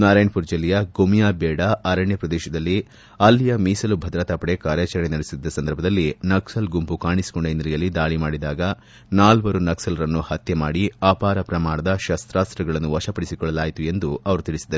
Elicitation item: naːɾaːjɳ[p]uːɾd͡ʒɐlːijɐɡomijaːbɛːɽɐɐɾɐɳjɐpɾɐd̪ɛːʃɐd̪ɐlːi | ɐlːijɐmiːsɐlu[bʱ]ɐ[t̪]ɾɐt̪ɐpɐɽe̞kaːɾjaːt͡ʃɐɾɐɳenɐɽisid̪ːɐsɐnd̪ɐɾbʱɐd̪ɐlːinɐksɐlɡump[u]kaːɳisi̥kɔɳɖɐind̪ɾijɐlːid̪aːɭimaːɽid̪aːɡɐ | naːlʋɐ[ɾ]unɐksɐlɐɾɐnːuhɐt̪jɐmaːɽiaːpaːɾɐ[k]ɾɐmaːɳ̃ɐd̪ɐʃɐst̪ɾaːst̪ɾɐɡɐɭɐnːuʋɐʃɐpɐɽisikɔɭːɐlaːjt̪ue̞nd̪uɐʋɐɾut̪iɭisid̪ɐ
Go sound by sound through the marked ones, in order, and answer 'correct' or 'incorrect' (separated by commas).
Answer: correct, correct, incorrect, correct, correct, incorrect